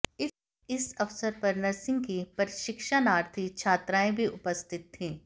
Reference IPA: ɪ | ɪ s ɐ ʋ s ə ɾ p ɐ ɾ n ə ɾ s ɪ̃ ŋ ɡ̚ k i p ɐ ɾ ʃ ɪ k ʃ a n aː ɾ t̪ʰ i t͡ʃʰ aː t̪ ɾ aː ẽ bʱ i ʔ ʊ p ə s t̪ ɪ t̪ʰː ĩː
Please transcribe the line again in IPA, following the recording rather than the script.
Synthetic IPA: ɪ | ɪ s ɐ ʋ s ə ɾ p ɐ ɾ n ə ɾ s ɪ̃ ŋ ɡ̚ k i p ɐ ɾ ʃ ɪ k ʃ a n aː ɾ t̪ʰ i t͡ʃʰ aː t̪ ɾ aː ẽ bʱ i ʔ ʊ p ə s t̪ ɪ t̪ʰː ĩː